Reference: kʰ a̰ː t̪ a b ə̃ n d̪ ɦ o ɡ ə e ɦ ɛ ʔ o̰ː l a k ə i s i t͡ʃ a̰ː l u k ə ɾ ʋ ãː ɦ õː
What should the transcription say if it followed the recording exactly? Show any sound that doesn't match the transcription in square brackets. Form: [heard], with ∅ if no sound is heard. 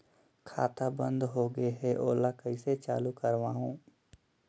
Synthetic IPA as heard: kʰ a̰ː t̪ a b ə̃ n d̪ ɦ o ɡ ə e ɦ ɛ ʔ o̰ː l a k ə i s [e] t͡ʃ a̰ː l u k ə ɾ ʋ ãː ɦ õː